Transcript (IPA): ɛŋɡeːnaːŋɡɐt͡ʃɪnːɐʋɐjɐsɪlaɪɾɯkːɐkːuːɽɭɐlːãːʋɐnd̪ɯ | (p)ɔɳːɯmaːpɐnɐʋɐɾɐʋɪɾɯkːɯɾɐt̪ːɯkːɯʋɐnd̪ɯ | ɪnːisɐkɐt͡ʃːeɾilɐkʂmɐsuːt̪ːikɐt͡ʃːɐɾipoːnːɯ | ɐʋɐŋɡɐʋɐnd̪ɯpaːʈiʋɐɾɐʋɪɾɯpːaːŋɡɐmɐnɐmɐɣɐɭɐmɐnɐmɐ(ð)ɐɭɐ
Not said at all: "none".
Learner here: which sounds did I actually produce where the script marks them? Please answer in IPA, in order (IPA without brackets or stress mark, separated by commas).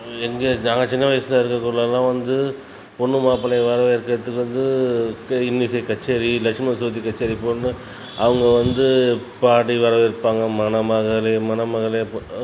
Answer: p, ɣ